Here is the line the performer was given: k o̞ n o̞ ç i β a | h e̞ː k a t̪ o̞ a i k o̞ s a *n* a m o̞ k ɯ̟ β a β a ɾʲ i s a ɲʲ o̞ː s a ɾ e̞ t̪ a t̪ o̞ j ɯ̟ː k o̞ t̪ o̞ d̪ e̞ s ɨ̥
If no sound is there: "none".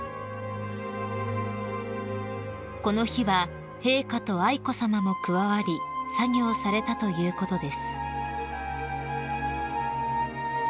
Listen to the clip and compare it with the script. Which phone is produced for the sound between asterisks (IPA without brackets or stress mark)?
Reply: m